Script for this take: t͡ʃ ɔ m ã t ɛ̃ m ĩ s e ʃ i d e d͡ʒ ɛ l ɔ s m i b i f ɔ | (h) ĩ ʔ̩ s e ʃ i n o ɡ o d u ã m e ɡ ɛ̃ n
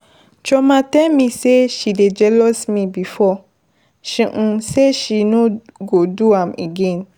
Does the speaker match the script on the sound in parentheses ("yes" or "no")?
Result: no